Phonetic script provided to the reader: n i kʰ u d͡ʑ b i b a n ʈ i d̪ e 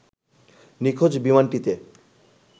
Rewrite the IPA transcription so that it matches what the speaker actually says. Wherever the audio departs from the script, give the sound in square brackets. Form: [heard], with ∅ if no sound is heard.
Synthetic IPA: n i kʰ [o] d͡ʑ b i [m] a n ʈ i [t̪] e